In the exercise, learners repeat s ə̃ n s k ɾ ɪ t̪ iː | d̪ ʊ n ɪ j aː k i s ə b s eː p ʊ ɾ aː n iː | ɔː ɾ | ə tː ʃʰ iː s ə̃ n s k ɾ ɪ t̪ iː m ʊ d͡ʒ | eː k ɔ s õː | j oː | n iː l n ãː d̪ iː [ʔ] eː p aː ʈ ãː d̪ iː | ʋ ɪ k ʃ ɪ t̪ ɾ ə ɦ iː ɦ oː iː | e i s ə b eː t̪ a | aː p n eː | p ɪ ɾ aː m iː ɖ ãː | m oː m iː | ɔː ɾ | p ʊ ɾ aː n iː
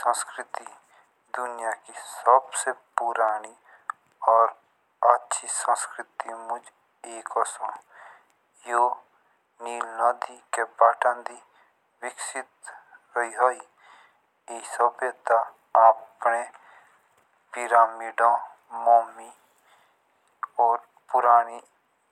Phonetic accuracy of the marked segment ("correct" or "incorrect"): incorrect